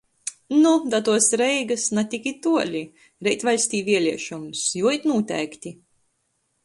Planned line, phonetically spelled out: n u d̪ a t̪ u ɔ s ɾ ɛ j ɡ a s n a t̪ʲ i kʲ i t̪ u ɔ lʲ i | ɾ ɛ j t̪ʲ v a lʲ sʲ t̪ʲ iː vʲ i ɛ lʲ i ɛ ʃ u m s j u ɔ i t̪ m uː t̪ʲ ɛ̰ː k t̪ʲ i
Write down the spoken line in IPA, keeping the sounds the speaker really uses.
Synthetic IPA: n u d̪ a t̪ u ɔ s ɾ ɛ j ɡ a s n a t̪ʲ i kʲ i t̪ u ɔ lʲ i | ɾ ɛ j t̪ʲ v a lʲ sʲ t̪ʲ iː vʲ i ɛ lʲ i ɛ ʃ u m s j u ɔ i t̪ n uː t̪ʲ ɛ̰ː k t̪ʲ i